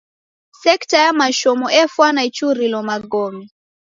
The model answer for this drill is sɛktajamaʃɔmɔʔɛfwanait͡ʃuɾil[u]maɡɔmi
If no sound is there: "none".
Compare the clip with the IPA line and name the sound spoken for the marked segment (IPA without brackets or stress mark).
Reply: ɔ